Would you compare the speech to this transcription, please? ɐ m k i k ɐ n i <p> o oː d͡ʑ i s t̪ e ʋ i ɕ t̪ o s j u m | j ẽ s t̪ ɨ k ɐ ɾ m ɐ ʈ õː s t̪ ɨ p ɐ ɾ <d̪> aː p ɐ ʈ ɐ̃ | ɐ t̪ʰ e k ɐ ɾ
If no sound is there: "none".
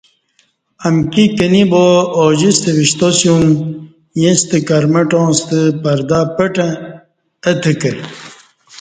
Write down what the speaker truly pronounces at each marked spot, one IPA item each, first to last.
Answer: b, d̪

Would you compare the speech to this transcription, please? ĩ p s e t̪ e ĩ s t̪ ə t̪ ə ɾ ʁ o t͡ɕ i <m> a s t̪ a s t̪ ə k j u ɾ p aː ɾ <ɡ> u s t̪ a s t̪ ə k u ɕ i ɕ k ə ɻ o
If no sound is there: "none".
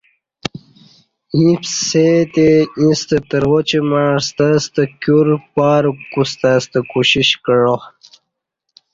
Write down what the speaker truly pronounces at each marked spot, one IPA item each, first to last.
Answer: m, k

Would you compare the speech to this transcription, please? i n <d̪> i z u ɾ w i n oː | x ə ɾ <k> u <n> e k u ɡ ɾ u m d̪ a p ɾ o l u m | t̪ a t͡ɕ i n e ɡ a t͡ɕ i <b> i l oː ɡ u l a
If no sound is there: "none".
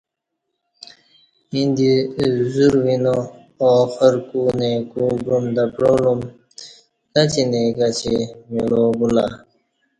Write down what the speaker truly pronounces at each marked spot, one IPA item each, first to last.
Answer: d̪, k, n, m

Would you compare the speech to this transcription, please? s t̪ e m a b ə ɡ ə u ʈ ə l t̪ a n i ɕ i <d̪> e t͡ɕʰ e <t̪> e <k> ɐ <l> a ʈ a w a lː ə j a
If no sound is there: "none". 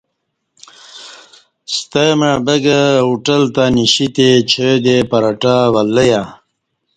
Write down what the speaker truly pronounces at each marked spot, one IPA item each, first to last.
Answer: t̪, d̪, p, ɾ

